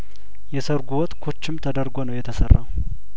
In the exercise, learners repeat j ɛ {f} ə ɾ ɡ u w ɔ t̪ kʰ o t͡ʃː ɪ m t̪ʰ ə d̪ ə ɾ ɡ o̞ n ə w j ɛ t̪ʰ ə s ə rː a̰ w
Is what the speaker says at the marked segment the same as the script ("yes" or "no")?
no